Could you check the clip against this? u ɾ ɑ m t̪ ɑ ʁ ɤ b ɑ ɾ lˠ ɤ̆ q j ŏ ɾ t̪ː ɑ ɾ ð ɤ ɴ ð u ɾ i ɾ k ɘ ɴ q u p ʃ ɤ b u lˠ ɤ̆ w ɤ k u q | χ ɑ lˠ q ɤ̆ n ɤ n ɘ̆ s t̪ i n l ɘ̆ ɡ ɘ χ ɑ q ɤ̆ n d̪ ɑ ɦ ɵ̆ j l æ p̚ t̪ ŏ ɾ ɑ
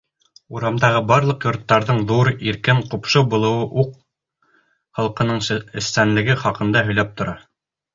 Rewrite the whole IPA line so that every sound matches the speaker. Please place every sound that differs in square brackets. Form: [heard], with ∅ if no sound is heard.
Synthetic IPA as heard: u ɾ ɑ m [d̪] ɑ ʁ ɤ b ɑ ɾ lˠ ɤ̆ q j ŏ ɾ t̪ː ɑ ɾ ð ɤ ɴ ð u ɾ i ɾ k ɘ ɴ q u p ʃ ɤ b u lˠ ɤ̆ w ɤ [ʔ] u q | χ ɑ lˠ q ɤ̆ n ɤ [ɴ] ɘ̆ s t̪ [æ] n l ɘ̆ ɡ ɘ χ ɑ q ɤ̆ n d̪ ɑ ɦ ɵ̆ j l æ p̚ t̪ ŏ ɾ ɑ